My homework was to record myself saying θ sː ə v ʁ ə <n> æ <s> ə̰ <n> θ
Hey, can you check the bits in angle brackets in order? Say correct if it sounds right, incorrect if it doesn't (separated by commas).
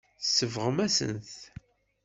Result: incorrect, correct, correct